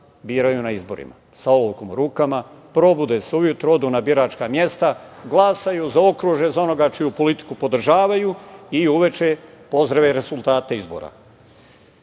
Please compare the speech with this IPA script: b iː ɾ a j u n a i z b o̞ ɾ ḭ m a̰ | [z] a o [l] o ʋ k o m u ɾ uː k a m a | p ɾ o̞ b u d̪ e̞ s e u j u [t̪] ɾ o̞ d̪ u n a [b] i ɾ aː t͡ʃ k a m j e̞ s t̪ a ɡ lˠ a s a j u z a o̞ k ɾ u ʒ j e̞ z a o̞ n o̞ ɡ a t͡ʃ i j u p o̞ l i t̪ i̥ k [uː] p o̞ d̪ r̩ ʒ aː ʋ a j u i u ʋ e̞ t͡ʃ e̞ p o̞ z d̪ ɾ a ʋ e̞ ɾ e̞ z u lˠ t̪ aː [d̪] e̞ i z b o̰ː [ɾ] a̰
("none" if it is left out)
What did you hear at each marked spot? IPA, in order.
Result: s, l, t̪, b, u, t̪, ɾ

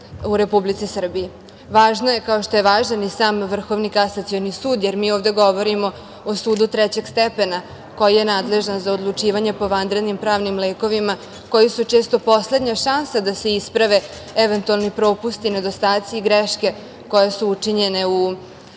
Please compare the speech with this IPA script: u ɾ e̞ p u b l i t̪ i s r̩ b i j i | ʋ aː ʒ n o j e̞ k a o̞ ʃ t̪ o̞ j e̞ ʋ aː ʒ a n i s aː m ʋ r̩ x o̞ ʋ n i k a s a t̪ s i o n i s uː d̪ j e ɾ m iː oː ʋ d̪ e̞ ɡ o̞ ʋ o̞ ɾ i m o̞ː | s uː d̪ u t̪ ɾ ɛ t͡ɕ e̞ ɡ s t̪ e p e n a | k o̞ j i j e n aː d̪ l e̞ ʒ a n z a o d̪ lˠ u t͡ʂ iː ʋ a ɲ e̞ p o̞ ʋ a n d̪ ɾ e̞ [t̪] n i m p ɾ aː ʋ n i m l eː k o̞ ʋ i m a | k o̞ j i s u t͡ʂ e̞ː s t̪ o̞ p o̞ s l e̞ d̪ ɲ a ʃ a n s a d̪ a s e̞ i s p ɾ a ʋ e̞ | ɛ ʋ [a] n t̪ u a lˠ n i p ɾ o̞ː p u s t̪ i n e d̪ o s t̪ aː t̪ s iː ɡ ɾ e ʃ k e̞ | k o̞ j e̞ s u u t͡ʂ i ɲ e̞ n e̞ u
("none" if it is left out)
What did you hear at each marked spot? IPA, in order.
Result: d̪, e

